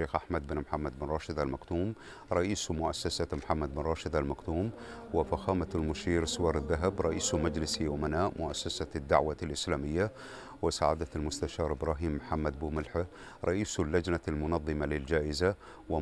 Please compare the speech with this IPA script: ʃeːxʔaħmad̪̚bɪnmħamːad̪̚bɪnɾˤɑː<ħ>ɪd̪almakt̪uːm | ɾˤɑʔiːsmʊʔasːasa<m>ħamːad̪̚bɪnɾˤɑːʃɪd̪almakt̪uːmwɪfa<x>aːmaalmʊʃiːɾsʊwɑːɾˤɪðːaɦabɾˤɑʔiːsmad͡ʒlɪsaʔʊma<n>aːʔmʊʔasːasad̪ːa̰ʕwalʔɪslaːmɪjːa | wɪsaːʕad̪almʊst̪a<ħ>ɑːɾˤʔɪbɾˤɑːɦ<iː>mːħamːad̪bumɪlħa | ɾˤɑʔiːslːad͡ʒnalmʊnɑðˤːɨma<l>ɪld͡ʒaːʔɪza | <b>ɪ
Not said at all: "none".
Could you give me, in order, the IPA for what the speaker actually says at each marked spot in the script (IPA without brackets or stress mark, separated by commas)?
ʃ, m, x, n, ʃ, iː, l, w